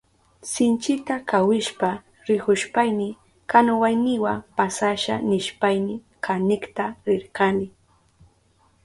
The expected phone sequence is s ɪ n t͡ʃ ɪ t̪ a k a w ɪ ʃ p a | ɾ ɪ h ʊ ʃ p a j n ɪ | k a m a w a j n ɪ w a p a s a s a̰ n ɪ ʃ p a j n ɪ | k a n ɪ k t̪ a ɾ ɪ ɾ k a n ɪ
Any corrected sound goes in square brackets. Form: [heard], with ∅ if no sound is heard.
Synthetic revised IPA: s ɪ n t͡ʃ ɪ t̪ a k a w ɪ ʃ p a | ɾ ɪ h ʊ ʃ p a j n ɪ | k a [n] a w a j n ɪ w a p a s a [ʃ] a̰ n ɪ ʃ p a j n ɪ | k a n ɪ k t̪ a ɾ ɪ ɾ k a n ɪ